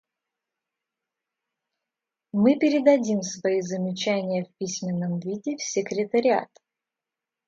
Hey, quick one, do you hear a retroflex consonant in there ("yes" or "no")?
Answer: no